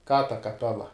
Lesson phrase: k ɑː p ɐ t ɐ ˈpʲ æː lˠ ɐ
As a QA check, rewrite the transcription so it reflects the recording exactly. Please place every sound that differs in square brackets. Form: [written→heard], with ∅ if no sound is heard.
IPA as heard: k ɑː [p→t] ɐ [t→k] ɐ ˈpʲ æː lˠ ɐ